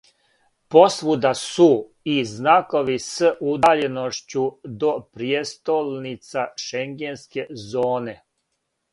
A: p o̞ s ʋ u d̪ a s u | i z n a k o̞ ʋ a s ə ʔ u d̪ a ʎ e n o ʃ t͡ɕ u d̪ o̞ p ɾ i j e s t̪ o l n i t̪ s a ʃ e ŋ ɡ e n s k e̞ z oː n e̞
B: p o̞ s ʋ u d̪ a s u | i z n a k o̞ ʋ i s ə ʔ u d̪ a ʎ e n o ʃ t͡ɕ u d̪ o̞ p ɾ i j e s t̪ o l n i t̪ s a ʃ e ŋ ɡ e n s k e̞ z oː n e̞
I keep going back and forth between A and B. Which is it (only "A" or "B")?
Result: B